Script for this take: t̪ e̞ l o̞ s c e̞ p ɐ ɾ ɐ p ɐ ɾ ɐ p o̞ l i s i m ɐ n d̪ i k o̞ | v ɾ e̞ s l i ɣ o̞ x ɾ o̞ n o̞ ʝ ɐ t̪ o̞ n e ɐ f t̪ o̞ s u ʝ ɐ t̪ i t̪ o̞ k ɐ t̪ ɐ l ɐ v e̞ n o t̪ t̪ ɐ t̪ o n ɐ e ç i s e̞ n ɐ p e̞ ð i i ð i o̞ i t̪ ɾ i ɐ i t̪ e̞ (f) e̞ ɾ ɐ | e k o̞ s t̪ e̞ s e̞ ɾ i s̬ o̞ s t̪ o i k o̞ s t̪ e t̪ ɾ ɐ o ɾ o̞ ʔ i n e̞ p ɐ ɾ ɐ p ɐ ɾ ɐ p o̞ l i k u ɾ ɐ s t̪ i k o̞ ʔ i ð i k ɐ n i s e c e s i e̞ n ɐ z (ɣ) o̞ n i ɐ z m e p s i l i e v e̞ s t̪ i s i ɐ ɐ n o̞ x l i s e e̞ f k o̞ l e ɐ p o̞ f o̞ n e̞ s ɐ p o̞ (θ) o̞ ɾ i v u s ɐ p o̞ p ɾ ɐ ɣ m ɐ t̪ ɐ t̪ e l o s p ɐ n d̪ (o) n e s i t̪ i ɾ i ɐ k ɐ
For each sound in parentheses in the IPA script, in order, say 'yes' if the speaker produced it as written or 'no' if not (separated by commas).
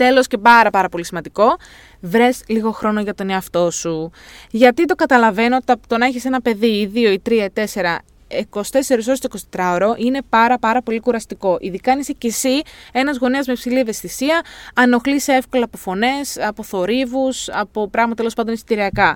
no, yes, yes, yes